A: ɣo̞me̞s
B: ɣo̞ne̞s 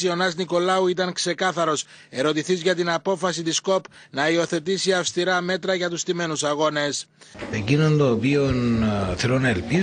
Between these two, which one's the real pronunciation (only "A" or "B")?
B